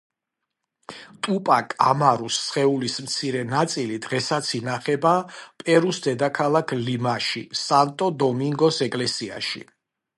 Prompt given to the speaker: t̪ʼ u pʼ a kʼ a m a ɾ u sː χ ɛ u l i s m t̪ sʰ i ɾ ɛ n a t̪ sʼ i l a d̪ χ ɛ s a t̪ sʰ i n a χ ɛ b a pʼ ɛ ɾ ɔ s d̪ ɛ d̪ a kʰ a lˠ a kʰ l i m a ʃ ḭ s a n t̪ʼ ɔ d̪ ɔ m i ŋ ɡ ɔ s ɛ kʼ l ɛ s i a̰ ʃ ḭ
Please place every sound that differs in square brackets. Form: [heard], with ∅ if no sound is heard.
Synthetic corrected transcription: t̪ʼ u pʼ a kʼ a m a ɾ u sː χ ɛ u l i s m t̪ sʰ i ɾ ɛ n a t̪ sʼ i l [i] d̪ [ʁ] ɛ s a t̪ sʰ i n a χ ɛ b a pʼ ɛ ɾ [u] s d̪ ɛ d̪ a kʰ a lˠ a kʰ l i m a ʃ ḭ s a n t̪ʼ ɔ d̪ ɔ m i ŋ ɡ ɔ s ɛ kʼ l ɛ s i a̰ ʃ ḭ